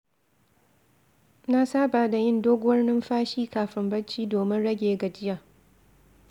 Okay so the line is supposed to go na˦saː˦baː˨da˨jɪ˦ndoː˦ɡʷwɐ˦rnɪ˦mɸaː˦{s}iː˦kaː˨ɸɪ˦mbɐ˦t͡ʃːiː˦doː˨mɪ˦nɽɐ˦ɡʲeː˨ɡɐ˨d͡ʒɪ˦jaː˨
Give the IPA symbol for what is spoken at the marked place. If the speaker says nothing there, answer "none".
ʃ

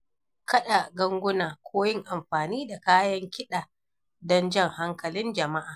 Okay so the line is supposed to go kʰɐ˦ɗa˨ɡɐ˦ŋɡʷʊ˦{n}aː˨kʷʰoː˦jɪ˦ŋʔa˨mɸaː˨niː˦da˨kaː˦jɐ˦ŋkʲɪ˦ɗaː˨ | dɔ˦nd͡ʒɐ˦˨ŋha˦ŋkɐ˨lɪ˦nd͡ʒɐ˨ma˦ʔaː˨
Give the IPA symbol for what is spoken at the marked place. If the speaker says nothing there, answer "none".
n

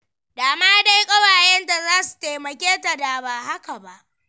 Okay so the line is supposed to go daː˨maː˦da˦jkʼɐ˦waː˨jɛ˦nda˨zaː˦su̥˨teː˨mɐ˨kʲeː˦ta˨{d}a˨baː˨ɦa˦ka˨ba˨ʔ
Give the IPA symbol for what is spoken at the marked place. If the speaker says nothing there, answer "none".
d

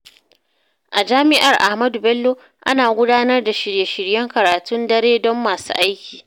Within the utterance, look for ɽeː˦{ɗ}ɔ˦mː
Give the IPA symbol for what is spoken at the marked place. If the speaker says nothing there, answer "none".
d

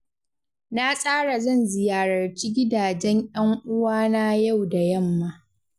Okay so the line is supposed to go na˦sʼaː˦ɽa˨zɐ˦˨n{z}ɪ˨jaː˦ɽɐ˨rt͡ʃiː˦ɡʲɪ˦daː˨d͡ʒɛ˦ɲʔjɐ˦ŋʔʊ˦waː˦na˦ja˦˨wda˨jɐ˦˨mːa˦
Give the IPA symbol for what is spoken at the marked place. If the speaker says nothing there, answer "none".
z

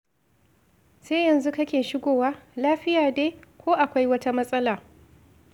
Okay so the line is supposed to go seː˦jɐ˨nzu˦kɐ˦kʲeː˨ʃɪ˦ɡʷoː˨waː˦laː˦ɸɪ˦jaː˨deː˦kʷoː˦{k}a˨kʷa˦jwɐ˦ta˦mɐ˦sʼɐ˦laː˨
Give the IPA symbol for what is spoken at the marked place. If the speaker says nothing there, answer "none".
ʔ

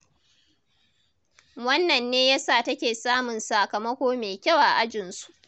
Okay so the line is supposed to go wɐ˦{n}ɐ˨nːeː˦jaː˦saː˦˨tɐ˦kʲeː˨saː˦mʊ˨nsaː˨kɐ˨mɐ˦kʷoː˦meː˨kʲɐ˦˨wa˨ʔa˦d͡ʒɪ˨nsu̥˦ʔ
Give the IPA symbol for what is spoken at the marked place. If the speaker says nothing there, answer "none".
nː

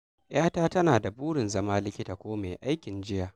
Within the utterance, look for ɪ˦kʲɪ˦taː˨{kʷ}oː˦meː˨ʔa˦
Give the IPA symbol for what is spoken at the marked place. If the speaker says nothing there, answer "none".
kʷ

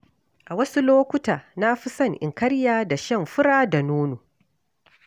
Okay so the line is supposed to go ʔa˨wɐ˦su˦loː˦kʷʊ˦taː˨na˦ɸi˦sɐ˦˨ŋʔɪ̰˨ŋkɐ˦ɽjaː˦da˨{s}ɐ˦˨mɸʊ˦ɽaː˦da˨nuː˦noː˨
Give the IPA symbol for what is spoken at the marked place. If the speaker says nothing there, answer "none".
ʃ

